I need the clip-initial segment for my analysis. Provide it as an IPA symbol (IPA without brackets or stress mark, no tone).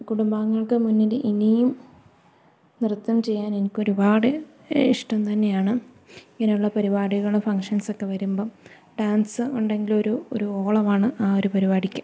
k